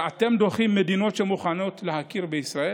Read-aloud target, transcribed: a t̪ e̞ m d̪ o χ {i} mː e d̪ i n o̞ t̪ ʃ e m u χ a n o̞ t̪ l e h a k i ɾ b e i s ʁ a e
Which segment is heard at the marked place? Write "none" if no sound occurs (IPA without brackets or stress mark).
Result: i